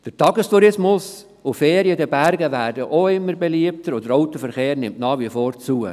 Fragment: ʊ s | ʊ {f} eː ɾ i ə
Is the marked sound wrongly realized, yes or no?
no